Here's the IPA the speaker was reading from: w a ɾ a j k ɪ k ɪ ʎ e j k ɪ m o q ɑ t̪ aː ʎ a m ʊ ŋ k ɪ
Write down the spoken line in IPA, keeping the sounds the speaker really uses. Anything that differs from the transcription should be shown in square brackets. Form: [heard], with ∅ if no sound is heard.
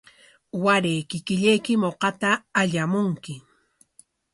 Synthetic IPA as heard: w a ɾ [e] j k ɪ k ɪ ʎ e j k ɪ m o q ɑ t̪ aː ʎ a m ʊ ŋ k ɪ